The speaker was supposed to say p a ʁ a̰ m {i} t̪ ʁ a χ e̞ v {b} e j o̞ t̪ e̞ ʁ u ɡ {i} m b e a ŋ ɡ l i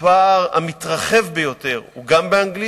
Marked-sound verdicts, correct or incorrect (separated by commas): correct, correct, incorrect